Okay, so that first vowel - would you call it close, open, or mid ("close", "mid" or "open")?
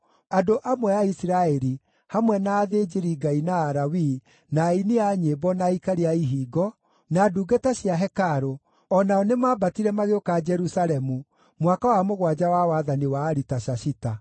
open